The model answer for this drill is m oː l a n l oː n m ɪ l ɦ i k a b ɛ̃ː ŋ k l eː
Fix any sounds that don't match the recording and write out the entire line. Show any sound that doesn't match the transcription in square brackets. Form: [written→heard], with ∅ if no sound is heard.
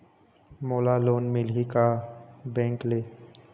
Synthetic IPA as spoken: m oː l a [n→∅] l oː n m ɪ l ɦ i k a b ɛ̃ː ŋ k l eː